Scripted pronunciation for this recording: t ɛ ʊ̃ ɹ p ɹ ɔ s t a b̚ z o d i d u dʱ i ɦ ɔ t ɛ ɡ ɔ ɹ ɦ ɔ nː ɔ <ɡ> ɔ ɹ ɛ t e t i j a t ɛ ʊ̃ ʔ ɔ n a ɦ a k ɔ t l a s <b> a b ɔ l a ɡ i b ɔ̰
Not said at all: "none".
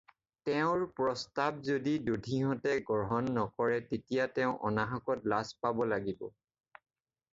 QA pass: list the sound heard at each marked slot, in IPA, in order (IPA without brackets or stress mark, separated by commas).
k, p